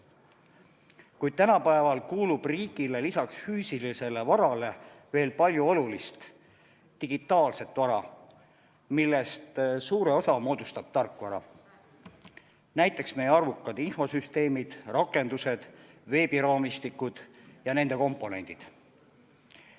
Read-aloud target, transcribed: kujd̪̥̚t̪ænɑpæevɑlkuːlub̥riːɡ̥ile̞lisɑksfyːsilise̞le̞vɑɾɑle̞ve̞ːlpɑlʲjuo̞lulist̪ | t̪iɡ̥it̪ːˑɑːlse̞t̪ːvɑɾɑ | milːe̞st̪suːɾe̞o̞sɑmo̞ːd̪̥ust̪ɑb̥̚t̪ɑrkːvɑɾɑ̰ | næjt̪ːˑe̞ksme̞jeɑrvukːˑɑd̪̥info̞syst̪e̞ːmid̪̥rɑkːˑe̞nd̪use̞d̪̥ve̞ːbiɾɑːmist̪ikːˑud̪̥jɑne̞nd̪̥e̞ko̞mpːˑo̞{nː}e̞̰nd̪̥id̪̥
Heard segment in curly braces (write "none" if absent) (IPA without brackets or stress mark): n